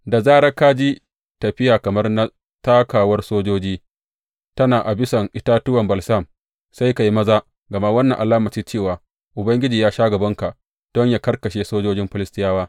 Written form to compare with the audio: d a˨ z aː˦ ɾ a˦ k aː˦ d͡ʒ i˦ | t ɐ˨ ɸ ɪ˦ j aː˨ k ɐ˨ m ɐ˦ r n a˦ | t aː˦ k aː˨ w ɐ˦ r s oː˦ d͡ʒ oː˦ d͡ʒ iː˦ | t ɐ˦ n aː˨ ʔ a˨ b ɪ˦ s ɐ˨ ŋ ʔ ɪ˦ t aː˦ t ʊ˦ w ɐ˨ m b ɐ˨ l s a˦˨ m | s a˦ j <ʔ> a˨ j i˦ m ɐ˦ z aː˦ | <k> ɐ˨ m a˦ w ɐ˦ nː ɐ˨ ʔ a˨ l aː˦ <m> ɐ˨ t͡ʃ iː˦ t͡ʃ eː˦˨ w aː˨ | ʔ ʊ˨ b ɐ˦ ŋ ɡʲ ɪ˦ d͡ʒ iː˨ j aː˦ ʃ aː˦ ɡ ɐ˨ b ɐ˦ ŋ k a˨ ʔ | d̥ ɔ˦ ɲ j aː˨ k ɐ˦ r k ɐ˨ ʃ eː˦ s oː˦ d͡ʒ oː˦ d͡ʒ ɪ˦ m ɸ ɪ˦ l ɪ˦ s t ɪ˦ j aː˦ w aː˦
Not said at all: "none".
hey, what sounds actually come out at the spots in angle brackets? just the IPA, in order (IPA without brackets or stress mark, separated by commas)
k, ɡ, m